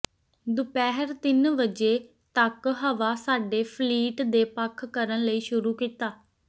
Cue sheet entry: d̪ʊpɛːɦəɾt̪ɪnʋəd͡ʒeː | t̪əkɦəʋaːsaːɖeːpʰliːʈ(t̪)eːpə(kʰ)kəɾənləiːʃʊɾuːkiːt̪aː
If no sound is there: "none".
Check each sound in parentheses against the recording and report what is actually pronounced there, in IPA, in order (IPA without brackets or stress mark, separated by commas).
d̪, kʰ